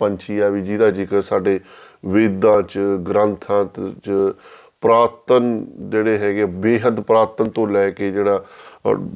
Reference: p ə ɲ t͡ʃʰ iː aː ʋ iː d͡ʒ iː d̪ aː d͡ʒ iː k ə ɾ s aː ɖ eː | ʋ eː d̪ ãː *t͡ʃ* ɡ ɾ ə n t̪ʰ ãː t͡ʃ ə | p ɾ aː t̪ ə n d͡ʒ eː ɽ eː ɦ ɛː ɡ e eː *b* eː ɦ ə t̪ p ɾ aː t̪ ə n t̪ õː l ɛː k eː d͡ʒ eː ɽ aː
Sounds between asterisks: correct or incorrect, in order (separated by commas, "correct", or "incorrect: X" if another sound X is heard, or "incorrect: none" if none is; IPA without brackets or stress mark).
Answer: correct, correct